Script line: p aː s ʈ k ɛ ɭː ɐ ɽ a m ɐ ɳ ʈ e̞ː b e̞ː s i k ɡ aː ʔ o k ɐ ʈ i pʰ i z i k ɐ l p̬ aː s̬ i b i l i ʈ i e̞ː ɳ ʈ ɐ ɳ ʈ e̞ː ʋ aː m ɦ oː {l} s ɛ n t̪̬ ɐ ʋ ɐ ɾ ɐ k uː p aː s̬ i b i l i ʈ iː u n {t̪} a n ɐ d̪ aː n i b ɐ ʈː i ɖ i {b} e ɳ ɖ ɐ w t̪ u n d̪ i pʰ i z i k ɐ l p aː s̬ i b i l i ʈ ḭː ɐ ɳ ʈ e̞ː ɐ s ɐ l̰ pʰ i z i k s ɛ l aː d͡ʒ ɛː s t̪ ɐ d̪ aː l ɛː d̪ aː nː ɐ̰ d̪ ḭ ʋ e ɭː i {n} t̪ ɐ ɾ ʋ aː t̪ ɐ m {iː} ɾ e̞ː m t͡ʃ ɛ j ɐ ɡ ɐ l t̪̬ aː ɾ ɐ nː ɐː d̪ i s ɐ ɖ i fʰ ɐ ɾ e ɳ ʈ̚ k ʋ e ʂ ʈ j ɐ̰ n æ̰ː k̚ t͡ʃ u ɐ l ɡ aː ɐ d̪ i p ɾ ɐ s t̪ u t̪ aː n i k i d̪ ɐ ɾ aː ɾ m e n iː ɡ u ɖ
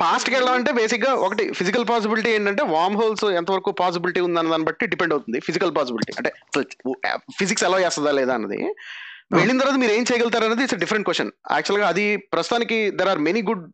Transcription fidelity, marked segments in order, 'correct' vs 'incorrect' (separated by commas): correct, incorrect, incorrect, correct, correct